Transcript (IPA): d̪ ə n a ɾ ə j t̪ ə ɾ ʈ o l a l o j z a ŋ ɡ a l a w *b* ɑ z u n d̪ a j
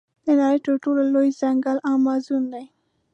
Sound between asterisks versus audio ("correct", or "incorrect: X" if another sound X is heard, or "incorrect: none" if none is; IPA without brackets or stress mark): incorrect: m